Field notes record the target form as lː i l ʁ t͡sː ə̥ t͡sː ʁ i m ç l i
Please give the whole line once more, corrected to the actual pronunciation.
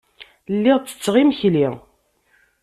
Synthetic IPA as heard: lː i ʁ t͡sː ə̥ t͡sː ʁ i m ç l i